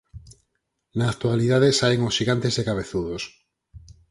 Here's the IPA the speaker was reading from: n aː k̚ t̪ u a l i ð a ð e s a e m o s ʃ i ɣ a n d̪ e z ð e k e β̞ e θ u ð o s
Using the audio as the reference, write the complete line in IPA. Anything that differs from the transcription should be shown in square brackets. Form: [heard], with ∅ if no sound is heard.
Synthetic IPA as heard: n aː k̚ t̪ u a l i ð a ð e s a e [ŋ] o s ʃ i ɣ a n [t̪] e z ð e k [a] β̞ e θ u ð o s